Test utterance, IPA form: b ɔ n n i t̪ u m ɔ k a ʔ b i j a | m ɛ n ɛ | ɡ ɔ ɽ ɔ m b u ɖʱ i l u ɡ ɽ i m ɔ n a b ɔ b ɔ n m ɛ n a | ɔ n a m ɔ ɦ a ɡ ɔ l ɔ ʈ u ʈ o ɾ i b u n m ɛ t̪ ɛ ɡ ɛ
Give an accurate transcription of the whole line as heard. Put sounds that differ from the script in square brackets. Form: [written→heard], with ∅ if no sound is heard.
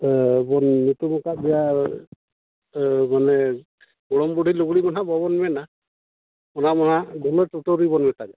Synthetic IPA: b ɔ n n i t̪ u m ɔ k a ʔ b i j a | m [ɛ→a] n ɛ | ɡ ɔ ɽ ɔ m b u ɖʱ i l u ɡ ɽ i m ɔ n a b ɔ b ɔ n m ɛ n a | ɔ n a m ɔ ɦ a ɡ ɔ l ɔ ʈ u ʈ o ɾ i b [u→ɔ] n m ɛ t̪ [ɛ→a] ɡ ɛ